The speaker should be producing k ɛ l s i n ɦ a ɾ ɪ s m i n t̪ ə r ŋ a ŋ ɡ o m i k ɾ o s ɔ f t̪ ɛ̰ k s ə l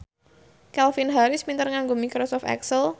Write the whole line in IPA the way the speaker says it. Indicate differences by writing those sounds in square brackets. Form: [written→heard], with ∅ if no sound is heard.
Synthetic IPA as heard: k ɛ l [s→f] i n ɦ a ɾ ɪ s m i n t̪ ə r ŋ a ŋ ɡ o m i k ɾ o s ɔ f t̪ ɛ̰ k s ə l